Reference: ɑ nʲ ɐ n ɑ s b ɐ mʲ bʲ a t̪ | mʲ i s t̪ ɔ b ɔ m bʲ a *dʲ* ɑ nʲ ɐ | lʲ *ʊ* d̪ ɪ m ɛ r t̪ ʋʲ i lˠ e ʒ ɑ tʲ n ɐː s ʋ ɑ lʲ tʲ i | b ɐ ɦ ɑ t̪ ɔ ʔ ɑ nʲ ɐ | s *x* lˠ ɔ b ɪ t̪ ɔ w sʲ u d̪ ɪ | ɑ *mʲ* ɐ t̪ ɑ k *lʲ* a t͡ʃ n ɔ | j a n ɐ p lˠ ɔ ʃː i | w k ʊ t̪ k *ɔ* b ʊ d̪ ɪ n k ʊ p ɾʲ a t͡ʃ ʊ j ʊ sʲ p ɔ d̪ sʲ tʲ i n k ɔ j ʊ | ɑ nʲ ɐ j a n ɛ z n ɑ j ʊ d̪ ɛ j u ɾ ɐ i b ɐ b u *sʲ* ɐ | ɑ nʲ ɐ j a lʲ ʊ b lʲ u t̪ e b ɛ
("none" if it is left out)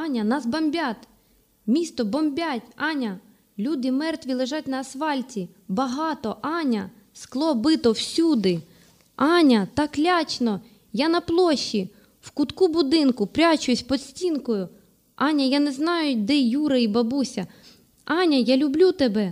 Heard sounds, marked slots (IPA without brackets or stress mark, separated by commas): tʲ, u, k, nʲ, lʲ, u, sʲ